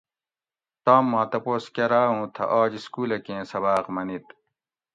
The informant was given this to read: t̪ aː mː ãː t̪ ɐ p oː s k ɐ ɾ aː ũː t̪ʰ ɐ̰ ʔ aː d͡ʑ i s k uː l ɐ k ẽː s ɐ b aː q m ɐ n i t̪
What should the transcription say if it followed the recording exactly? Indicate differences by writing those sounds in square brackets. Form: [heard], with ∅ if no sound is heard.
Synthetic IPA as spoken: t̪ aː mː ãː t̪ ɐ p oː s k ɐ ɾ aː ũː t̪ʰ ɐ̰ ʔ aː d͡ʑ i s k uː l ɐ k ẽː s ɐ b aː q m ɐ n i t̪